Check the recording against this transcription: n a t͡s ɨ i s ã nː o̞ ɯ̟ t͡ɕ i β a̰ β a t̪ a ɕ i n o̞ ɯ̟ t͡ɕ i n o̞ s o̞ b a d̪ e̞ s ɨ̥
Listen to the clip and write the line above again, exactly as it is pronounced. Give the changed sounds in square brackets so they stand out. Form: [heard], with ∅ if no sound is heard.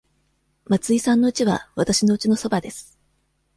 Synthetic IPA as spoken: [m] a t͡s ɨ i s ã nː o̞ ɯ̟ t͡ɕ i β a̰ β a t̪ a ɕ i n o̞ ɯ̟ t͡ɕ i n o̞ s o̞ b a d̪ e̞ s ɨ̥